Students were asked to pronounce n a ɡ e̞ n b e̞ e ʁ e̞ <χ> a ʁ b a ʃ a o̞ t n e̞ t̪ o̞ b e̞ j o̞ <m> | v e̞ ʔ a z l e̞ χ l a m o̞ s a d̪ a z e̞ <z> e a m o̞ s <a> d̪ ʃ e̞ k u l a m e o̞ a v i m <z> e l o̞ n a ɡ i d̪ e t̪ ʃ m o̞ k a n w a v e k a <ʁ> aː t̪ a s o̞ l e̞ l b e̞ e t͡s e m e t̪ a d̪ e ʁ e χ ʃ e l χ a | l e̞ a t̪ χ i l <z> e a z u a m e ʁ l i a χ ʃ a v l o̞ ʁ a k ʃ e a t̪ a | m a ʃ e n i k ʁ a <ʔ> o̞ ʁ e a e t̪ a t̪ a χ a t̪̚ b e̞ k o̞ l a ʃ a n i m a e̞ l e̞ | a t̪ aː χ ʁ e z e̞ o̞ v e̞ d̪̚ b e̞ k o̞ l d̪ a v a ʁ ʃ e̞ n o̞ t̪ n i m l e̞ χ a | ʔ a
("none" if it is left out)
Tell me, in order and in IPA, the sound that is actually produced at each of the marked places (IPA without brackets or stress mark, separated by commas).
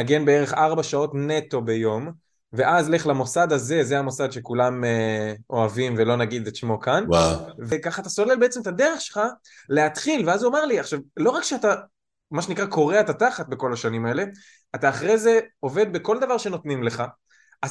χ, m, z, a, v, χ, v, k